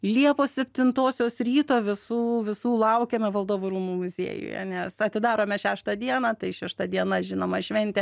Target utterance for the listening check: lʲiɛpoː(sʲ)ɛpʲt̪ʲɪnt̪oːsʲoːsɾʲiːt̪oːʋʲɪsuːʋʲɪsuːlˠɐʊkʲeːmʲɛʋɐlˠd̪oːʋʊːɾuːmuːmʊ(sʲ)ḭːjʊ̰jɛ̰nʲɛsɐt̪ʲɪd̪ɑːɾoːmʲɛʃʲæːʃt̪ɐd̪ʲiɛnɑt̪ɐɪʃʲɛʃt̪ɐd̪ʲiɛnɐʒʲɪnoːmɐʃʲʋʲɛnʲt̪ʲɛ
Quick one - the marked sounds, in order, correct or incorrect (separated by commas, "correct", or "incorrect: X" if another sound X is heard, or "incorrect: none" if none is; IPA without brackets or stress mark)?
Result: correct, incorrect: zʲ